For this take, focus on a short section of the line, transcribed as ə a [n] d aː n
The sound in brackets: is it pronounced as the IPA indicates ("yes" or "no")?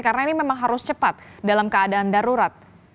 no